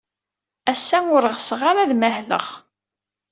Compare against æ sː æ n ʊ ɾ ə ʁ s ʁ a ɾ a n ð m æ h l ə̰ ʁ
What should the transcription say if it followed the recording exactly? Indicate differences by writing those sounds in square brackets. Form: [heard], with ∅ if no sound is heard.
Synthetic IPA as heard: æ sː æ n ʊ ɾ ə ʁ s ʁ a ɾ a [∅] ð m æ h l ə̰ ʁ